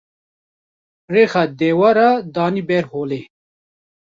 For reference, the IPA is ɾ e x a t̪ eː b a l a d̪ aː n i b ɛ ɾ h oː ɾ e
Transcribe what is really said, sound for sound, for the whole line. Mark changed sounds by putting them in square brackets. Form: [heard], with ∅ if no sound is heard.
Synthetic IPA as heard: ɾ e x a [d̪] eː [w] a [ɾ] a d̪ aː n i b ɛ ɾ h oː [l] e